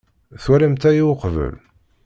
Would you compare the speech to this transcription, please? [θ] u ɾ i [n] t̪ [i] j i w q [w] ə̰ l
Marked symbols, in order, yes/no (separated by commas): yes, no, no, no